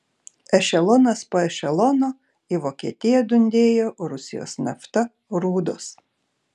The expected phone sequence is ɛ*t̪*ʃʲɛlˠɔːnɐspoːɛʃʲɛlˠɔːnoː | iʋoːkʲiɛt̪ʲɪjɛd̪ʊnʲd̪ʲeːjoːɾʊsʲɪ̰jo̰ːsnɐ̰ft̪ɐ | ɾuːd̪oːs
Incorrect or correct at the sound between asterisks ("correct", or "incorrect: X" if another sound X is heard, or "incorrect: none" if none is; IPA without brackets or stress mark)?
incorrect: none